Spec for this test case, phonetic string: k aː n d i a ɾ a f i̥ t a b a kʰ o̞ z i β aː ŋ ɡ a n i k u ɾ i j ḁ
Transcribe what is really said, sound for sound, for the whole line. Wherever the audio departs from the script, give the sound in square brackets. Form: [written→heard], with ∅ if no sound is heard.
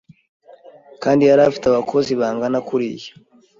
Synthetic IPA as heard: k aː n d i a ɾ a f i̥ t a [b→β] a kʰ o̞ z i β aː ŋ ɡ a n [i→a] k u ɾ i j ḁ

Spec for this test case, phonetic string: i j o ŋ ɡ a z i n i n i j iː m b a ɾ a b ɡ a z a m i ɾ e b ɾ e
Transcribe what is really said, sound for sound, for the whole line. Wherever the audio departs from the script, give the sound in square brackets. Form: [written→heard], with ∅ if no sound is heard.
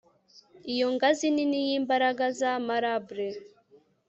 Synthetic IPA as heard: i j o ŋ ɡ a z i n i n i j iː m b a ɾ a [b→∅] ɡ a z a m [i→a] ɾ [e→a] b ɾ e

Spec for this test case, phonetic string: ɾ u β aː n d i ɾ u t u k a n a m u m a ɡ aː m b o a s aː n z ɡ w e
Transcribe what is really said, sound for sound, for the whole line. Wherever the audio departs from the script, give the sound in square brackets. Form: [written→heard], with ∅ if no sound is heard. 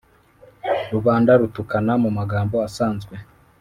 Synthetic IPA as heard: ɾ u β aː n d [i→a] ɾ u t u k a n a m u m a ɡ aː m b o a s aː n z ɡ w e

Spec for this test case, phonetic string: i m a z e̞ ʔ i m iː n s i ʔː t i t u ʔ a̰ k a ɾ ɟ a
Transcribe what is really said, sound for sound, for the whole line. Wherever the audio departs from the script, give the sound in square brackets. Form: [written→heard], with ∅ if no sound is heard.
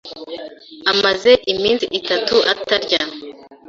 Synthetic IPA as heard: [i→a] m a z e̞ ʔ i m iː n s i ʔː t [i→a] t u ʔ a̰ [k→t] a ɾ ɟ a

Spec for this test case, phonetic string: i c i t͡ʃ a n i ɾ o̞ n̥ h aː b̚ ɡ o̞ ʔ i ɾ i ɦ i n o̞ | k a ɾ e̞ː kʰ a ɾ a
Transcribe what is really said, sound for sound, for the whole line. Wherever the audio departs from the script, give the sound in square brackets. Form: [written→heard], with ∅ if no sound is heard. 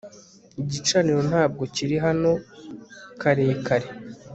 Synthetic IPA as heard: i [c→ɟ] i t͡ʃ a n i ɾ o̞ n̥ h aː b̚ ɡ o̞ [ʔ→c] i ɾ i ɦ [i→a] n o̞ | k a ɾ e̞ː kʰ a ɾ [a→e]

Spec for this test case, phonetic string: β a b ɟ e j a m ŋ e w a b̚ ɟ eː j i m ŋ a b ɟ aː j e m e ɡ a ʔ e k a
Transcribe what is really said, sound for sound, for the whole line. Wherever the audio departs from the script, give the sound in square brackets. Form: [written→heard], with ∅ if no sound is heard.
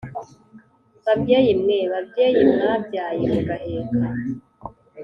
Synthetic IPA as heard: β a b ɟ e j [a→i] m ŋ e [w→β] a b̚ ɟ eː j i m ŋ a b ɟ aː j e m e ɡ a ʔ e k a

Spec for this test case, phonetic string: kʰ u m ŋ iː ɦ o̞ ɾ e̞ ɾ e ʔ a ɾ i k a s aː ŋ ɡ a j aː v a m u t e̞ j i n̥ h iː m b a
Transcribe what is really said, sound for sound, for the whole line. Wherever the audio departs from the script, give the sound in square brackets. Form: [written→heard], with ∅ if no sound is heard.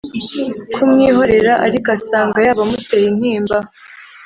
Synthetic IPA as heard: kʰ u m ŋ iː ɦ o̞ ɾ e̞ ɾ [e→a] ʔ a ɾ i k a s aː ŋ ɡ a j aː [v→β] a m u t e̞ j i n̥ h iː m b a

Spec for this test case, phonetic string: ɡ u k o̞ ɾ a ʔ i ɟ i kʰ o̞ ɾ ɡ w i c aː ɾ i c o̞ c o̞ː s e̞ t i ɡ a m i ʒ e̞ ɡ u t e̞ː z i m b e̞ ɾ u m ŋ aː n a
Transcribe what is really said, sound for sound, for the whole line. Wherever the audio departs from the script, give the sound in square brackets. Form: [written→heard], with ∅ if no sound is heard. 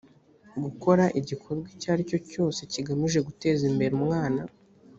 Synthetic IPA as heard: ɡ u k o̞ ɾ a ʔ i ɟ i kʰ o̞ ɾ ɡ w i c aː ɾ i c o̞ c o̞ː s e̞ [t→c] i ɡ a m i ʒ e̞ ɡ u t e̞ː z i m b e̞ ɾ u m ŋ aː n a

